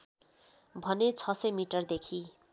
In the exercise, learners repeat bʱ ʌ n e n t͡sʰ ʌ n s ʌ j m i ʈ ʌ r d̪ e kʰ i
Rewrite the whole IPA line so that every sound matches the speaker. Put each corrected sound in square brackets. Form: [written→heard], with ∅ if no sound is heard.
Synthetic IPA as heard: bʱ ʌ n e [n→∅] t͡sʰ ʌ [n→∅] s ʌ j m i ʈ ʌ r d̪ e kʰ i